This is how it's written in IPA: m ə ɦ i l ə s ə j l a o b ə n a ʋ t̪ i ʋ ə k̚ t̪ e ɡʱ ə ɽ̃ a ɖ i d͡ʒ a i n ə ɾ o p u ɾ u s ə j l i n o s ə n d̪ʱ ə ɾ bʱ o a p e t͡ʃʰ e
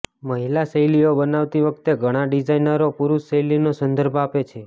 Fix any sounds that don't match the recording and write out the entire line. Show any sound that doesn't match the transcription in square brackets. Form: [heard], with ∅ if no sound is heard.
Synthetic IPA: m ə ɦ i l [a] s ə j l [i] o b ə n a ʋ t̪ i ʋ ə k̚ t̪ e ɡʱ ə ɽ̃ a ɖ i d͡ʒ a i n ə ɾ o p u ɾ u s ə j l i n o s ə n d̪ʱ ə ɾ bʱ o a p e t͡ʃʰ e